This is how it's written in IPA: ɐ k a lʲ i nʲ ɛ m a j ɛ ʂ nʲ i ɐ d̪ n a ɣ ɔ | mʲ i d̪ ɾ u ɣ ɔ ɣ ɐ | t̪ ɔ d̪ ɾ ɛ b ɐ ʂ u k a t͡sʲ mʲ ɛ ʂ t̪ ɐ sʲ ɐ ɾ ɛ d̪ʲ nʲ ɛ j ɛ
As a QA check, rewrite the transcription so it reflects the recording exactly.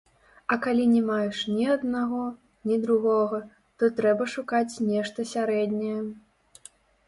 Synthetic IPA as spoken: ɐ k a lʲ i nʲ ɛ m a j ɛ ʂ nʲ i ɐ d̪ n a ɣ ɔ | nʲ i d̪ ɾ u ɣ ɔ ɣ ɐ | t̪ ɔ t̪ ɾ ɛ b ɐ ʂ u k a t͡sʲ nʲ ɛ ʂ t̪ ɐ sʲ a ɾ ɛ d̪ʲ nʲ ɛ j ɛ

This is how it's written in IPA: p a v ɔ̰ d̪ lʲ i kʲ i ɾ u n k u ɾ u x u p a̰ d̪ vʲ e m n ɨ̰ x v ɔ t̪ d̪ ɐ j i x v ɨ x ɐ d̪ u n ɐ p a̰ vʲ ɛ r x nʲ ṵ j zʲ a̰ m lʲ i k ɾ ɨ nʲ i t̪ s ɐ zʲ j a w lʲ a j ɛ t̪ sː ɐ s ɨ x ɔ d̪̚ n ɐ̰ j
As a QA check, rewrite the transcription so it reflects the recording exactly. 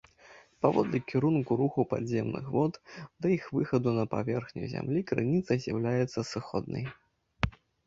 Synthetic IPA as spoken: p a v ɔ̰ d̪ lʲ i kʲ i ɾ u n k u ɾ u x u p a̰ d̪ zʲ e m n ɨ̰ x v ɔ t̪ d̪ ɐ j i x v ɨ x ɐ d̪ u n ɐ p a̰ vʲ ɛ r x nʲ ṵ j zʲ a̰ m lʲ i k ɾ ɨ nʲ i t̪ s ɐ zʲ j a w lʲ a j ɛ t̪ sː ɐ s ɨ x ɔ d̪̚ n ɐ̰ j

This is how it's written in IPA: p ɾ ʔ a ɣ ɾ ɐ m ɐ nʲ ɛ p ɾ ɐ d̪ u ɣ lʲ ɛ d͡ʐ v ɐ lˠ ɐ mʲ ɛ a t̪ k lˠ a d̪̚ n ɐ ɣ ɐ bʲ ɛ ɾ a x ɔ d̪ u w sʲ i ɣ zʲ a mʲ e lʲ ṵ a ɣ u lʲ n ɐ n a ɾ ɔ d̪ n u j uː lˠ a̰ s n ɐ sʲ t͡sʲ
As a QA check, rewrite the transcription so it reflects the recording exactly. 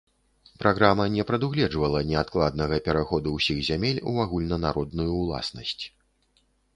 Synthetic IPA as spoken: p ɾ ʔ a ɣ ɾ a m ɐ nʲ ɛ p ɾ ɐ d̪ u ɣ lʲ ɛ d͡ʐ v ɐ lˠ ɐ nʲ ɛ a t̪ k lˠ a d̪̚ n ɐ ɣ ɐ pʲ ɛ ɾ a x ɔ d̪ u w sʲ i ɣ zʲ a mʲ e lʲ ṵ a ɣ u lʲ n ɐ n a ɾ ɔ d̪ n u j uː lˠ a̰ s n ɐ sʲ t͡sʲ

